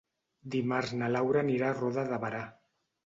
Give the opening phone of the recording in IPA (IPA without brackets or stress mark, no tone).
d̪